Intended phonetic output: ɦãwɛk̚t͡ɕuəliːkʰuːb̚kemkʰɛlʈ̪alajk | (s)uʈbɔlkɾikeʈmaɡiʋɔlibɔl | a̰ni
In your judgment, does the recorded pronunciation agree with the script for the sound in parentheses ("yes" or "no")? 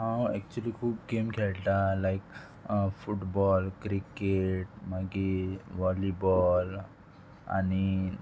no